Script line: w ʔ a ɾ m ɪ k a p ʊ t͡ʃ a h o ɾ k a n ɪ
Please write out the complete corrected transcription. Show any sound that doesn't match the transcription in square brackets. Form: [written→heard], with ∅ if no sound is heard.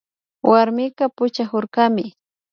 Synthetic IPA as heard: w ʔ a ɾ m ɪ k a p ʊ t͡ʃ a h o ɾ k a [n→m] ɪ

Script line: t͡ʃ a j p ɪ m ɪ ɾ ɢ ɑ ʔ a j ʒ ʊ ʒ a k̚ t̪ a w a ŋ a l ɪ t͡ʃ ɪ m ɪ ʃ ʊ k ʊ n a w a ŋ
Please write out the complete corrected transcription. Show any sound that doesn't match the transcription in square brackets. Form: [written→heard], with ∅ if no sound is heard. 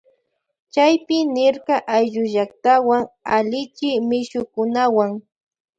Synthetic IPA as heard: t͡ʃ a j p ɪ [m→n] ɪ ɾ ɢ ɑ ʔ a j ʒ ʊ ʒ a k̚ t̪ a w a ŋ a l ɪ t͡ʃ ɪ m ɪ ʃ ʊ k ʊ n a w a ŋ

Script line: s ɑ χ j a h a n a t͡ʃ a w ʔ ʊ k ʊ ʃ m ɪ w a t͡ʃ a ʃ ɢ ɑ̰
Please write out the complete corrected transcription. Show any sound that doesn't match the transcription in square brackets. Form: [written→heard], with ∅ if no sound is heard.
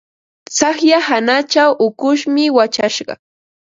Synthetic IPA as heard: s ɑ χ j a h a n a t͡ʃ a w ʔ ʊ k ʊ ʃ m ɪ w a t͡ʃ a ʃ ɢ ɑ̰

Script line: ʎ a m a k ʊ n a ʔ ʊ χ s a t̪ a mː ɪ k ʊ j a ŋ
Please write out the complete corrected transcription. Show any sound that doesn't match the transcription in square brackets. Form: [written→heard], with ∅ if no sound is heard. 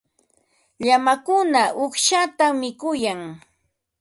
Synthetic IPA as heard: ʎ a m a k ʊ n a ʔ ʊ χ [s→ʃ] a t̪ a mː ɪ k ʊ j a ŋ

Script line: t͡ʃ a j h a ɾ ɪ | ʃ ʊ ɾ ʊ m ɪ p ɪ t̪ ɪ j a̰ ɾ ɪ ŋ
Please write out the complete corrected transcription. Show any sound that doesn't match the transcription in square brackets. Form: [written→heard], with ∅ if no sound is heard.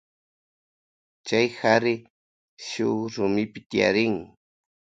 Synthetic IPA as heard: t͡ʃ a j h a ɾ ɪ | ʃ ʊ ɾ ʊ m ɪ p ɪ t̪ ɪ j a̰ ɾ ɪ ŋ

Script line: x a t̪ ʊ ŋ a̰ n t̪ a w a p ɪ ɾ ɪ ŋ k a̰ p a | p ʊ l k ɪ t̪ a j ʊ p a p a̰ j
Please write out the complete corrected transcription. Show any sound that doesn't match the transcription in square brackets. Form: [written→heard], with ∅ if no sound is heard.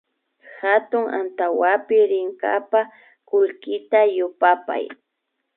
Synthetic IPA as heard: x a t̪ ʊ ŋ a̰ n t̪ a w a p ɪ ɾ ɪ ŋ k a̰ p a | [p→k] ʊ l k ɪ t̪ a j ʊ p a p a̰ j

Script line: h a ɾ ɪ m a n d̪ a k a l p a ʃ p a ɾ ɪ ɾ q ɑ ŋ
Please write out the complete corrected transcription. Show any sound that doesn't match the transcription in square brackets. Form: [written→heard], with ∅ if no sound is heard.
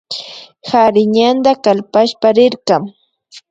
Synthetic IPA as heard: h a ɾ ɪ [m→ɲ] a n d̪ a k a l p a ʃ p a ɾ ɪ ɾ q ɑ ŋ

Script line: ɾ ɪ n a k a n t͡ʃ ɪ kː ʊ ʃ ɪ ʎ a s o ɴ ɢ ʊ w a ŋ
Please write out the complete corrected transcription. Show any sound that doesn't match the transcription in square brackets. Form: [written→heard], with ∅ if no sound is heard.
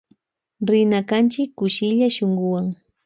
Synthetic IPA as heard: ɾ ɪ n a k a n t͡ʃ ɪ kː ʊ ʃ ɪ ʎ a [s→ʃ] o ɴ ɢ ʊ w a ŋ

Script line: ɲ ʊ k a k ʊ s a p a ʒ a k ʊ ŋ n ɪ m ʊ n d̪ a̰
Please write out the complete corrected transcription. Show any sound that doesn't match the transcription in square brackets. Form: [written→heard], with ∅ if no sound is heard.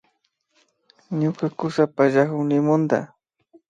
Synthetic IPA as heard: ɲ ʊ k a k ʊ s a p a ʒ a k ʊ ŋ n ɪ m ʊ n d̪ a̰

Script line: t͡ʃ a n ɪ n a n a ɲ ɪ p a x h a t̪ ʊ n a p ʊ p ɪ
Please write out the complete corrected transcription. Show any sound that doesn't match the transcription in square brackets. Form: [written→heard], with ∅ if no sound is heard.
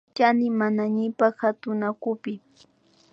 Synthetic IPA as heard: t͡ʃ a n ɪ [n→m] a n a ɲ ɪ p a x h a t̪ ʊ n a [p→k] ʊ p ɪ

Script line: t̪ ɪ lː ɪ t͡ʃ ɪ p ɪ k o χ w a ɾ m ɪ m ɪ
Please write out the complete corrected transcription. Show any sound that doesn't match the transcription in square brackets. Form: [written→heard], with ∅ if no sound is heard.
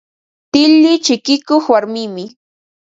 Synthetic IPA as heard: t̪ ɪ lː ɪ t͡ʃ ɪ [p→k] ɪ k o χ w a ɾ m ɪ m ɪ

